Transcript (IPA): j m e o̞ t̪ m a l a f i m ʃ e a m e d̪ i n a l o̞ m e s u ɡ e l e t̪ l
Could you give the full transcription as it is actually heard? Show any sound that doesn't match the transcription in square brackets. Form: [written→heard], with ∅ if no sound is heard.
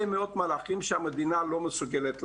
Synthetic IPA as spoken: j m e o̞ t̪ m a l a [f→χ] i m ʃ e a m e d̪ i n a l o̞ m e s u ɡ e l e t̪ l